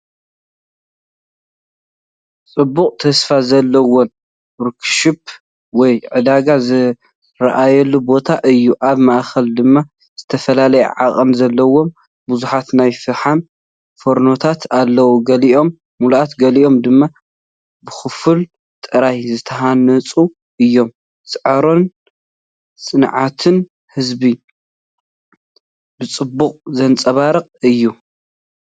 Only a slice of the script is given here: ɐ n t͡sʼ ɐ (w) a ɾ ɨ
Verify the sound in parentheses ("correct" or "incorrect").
incorrect